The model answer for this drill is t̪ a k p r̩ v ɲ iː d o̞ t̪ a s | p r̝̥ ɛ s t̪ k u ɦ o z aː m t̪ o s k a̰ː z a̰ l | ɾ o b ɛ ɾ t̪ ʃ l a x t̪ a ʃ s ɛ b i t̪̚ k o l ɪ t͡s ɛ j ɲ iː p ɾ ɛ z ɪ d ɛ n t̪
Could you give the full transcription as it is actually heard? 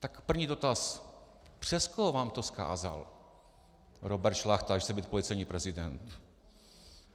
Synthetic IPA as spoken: t̪ a k p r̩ v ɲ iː d o̞ t̪ a s | p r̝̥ ɛ s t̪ k o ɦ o v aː m t̪ o s k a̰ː z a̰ l | ɾ o b ɛ ɾ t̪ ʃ l a x t̪ a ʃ s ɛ b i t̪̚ p o l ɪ t͡s ɛ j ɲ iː p ɾ ɛ z ɪ d ɛ n t̪